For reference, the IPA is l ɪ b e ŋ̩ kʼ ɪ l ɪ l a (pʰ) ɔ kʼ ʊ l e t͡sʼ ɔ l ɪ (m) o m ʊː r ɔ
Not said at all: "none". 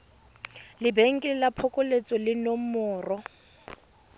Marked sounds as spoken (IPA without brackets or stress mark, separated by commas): pʰ, n